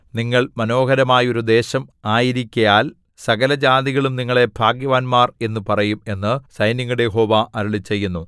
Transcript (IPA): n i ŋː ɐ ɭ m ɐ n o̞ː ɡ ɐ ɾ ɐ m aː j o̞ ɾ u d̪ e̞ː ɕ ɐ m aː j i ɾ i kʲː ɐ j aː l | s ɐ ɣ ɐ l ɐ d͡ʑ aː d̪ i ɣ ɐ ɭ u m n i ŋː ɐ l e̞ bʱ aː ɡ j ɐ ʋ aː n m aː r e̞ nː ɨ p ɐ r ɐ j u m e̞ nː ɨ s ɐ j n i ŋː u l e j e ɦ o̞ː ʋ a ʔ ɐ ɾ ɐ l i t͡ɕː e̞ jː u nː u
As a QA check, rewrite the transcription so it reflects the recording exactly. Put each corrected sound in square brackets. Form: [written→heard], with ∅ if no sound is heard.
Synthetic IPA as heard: n i ŋː ɐ ɭ m ɐ n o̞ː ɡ ɐ ɾ ɐ m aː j o̞ ɾ u d̪ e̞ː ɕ ɐ m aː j i ɾ i kʲː ɐ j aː l | s ɐ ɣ ɐ l ɐ d͡ʑ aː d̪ i ɣ ɐ ɭ u m n i ŋː ɐ [l→ɭ] e̞ bʱ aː ɡ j ɐ ʋ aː n m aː r e̞ nː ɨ p ɐ r ɐ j u m e̞ nː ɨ s ɐ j n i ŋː u [l→ɽ] e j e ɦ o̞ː ʋ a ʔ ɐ ɾ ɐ [l→ɭ] i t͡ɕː e̞ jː u nː u